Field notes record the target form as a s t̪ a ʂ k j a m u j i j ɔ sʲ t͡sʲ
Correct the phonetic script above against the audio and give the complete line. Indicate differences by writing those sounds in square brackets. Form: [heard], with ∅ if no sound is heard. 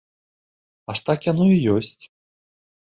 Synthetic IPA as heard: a [ʂ] t̪ a [∅] k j a [n] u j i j ɔ sʲ t͡sʲ